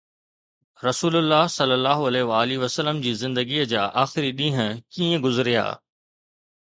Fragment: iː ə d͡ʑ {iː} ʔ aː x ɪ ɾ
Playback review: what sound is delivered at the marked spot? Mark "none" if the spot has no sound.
aː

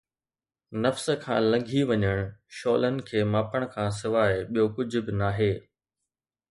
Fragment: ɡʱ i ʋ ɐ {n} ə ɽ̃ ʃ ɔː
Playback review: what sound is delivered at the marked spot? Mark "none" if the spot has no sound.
ɲ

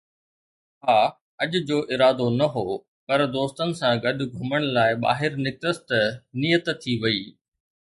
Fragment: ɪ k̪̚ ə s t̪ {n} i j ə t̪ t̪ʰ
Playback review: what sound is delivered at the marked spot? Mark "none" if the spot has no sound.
n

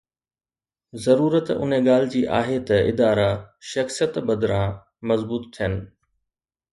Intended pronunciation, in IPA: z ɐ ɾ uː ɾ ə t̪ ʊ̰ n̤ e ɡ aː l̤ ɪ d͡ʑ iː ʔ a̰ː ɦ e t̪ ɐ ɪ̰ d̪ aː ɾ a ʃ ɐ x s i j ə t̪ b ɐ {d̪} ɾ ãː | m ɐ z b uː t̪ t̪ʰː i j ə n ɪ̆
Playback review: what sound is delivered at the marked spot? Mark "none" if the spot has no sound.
d̪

